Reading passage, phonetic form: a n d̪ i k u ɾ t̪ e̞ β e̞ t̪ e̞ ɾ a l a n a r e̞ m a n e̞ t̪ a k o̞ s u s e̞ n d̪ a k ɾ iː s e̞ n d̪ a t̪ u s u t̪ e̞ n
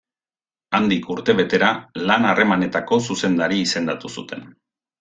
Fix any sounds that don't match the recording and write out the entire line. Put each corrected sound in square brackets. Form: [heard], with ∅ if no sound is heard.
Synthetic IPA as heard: a n d̪ i k u ɾ t̪ e̞ β e̞ t̪ e̞ ɾ a l a n a r e̞ m a n e̞ t̪ a k o̞ s u s e̞ n d̪ a [∅] ɾ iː s e̞ n d̪ a t̪ u s u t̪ e̞ n